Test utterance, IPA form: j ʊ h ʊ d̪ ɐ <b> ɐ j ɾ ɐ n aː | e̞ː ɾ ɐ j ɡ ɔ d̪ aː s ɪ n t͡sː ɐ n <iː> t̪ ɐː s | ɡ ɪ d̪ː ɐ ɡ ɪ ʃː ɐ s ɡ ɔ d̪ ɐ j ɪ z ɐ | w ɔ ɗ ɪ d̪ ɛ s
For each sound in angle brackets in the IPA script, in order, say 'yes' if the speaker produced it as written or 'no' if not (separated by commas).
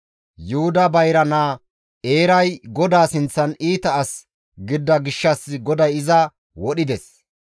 yes, yes